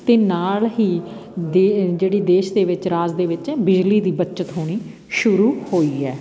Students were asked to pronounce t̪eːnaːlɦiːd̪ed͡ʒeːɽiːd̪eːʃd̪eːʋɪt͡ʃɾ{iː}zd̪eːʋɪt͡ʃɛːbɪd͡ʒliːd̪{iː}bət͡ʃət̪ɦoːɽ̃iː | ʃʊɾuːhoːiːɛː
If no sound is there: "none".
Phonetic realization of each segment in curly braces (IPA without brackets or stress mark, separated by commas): aː, iː